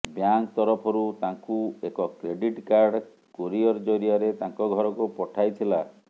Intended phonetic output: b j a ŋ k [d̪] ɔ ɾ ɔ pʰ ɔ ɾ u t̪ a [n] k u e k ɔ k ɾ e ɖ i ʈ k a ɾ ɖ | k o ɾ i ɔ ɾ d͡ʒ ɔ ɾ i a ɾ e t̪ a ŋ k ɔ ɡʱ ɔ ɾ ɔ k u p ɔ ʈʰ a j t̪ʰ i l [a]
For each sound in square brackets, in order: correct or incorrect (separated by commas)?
incorrect, incorrect, correct